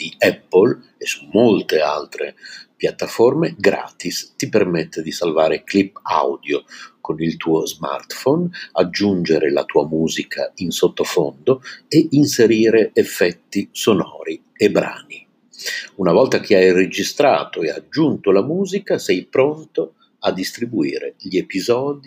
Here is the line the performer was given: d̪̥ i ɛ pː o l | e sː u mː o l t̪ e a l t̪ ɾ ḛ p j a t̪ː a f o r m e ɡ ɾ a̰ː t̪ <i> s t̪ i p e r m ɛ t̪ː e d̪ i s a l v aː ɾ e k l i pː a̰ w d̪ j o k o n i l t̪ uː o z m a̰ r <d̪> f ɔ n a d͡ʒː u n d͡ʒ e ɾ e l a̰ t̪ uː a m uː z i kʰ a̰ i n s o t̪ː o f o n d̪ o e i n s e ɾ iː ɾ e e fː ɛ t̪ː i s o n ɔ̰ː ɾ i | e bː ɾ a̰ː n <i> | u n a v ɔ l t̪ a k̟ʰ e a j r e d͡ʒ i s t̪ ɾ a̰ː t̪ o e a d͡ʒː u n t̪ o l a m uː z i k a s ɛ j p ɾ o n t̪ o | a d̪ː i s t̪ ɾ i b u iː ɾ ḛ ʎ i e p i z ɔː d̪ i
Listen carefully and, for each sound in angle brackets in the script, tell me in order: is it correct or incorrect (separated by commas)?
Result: correct, incorrect, correct